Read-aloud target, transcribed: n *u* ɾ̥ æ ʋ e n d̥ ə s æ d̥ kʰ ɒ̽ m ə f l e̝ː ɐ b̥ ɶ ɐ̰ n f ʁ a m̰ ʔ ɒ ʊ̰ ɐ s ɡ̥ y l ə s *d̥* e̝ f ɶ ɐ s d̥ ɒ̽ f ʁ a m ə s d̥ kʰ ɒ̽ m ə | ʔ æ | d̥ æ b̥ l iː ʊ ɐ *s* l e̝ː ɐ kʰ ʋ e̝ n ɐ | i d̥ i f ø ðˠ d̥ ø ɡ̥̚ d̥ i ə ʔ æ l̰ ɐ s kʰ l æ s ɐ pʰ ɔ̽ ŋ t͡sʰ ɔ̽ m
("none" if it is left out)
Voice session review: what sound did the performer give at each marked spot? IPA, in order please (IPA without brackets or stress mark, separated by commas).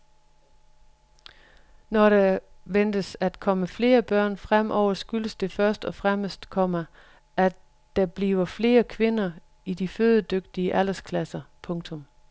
ɒ, d̥, f